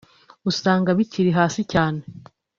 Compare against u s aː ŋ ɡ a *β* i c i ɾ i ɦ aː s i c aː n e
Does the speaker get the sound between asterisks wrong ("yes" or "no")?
no